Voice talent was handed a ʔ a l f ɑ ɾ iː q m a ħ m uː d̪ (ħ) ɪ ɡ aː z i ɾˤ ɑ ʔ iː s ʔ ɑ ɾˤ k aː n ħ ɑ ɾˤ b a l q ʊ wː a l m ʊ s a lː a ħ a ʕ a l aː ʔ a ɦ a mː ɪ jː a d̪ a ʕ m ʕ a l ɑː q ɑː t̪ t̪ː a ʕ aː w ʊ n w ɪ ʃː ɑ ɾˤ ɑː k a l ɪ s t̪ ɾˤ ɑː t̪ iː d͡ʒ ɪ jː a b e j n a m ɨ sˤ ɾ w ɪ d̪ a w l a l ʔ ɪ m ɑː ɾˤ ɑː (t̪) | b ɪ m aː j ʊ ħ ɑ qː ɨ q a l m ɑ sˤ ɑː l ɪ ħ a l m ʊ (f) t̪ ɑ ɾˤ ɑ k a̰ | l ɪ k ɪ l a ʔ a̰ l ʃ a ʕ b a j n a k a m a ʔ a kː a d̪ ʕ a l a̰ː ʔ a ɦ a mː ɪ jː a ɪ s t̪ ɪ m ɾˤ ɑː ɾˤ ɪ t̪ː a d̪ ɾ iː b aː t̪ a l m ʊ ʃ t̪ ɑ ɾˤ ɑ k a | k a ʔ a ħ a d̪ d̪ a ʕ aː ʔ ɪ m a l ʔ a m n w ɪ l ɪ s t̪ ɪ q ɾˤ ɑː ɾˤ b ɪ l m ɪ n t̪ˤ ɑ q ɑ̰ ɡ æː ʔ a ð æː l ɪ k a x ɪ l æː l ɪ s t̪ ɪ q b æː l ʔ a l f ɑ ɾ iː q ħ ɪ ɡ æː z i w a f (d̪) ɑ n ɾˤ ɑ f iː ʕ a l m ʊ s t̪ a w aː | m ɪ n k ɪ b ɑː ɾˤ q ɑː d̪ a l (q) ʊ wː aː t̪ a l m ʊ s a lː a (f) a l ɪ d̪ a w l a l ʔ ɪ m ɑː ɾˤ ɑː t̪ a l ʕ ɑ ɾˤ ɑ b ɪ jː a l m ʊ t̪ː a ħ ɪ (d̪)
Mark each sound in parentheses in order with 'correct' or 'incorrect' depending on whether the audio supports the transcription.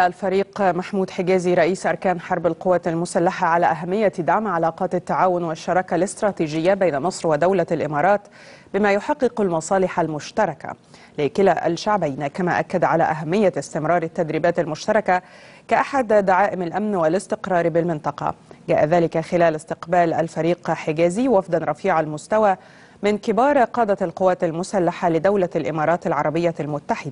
correct, correct, incorrect: ʃ, correct, correct, incorrect: ħ, correct

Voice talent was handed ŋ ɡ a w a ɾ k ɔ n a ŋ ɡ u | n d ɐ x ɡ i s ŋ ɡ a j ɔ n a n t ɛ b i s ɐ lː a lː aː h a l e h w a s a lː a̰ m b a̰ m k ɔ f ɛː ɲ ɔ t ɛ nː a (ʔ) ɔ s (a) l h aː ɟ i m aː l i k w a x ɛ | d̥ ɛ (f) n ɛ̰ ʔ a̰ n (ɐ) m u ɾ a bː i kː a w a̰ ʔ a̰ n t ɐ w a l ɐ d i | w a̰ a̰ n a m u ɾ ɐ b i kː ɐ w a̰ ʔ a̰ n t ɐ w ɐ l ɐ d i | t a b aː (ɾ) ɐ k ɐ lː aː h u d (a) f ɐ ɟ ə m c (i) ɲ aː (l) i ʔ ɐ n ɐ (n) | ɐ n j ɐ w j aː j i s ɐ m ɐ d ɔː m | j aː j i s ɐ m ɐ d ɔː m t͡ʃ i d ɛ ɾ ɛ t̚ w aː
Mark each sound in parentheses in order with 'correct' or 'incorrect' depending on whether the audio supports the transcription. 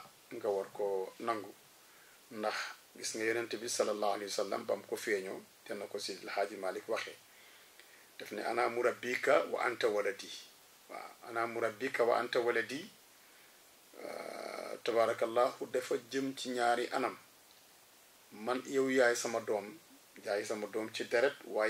incorrect: k, incorrect: i, correct, incorrect: a, correct, incorrect: ɛ, correct, incorrect: ɾ, incorrect: m

